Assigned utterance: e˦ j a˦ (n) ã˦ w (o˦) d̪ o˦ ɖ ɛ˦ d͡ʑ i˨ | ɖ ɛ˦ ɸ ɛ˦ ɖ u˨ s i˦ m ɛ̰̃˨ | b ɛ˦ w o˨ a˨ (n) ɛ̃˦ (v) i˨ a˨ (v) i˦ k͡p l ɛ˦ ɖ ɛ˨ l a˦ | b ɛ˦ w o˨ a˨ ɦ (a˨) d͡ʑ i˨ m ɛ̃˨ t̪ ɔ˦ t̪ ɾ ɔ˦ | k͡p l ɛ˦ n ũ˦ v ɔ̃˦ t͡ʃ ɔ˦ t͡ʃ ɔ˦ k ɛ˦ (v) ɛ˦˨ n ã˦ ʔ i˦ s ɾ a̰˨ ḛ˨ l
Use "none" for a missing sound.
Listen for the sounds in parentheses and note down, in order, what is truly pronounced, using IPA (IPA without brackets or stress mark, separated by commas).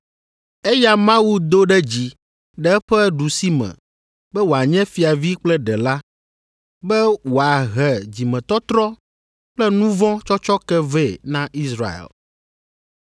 m, u˦, ɲ, f, v, ɛ˨, v